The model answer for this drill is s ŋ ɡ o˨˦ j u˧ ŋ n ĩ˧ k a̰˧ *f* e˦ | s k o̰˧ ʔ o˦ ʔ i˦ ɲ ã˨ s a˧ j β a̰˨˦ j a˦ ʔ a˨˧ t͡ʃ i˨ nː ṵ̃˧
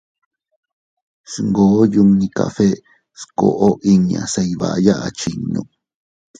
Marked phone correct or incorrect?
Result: correct